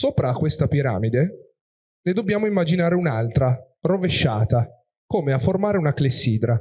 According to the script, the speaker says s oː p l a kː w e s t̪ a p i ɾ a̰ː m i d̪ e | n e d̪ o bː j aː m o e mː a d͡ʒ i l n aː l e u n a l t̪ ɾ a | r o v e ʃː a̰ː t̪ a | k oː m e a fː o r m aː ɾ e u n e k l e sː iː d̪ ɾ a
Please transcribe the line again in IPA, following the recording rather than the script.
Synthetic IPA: s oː p ɾ a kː w e s t̪ a p i ɾ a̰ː m i d̪ e | n e d̪ o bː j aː m o i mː a d͡ʒ i n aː ɾ e u n a l t̪ ɾ a | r o v e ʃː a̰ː t̪ a | k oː m e a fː o r m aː ɾ e u n a k l e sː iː d̪ ɾ a